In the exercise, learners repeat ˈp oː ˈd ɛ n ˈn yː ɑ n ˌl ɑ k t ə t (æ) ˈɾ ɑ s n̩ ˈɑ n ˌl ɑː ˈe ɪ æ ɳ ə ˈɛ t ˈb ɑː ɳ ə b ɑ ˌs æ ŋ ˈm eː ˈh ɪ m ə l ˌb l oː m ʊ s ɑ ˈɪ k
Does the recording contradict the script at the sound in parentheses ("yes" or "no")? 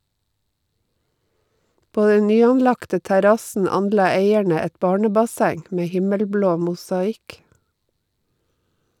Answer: no